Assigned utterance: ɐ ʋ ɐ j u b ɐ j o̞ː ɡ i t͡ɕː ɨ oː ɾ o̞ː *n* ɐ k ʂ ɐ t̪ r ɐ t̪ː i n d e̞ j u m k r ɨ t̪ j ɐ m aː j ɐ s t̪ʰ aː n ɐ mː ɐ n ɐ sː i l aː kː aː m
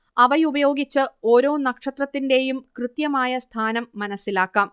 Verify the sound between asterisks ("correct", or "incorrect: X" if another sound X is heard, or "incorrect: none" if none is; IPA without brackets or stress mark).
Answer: correct